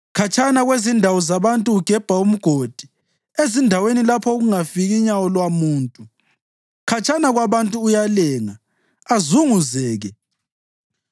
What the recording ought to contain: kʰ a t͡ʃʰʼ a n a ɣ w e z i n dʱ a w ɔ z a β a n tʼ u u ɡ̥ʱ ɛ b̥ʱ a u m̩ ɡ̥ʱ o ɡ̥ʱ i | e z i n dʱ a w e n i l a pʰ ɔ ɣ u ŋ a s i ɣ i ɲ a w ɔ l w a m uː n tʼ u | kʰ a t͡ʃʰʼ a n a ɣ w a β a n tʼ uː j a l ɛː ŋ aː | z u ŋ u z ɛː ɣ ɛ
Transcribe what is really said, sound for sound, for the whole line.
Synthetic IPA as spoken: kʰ a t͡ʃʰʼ a n a ɣ w e z i n dʱ a w ɔ z a β a n tʼ u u ɡ̥ʱ ɛ b̥ʱ a u m̩ ɡ̥ʱ o d̥ʱ i | e z i n dʱ a w e n i l a pʰ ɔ ɣ u ŋ a f i ɣ i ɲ a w ɔ l w a m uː n tʼ u | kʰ a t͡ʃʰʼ a n a ɣ w a β a n tʼ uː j a l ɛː ŋ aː | z u ŋ u z ɛː ɣ ɛ